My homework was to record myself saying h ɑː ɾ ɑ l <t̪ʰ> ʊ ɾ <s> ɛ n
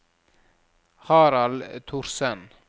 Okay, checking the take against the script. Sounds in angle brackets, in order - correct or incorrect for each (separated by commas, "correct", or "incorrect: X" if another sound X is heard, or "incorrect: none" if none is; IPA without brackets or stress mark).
correct, correct